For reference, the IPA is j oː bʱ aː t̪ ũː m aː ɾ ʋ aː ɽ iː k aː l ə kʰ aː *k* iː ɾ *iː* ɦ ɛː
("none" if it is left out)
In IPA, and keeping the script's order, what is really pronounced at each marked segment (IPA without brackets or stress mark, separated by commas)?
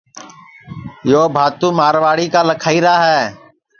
none, aː